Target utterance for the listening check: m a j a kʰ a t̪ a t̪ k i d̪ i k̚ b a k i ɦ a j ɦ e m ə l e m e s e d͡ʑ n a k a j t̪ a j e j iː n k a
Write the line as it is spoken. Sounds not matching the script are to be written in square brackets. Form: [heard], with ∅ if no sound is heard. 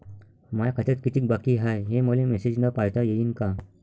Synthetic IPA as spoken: m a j a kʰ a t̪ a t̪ k i [t̪] i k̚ b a k i ɦ a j ɦ e m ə l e m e s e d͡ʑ n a [p] a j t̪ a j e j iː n k a